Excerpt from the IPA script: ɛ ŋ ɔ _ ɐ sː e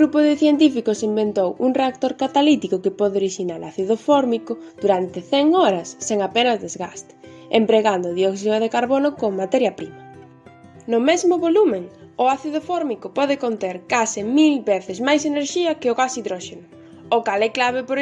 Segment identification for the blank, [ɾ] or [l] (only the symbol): ɾ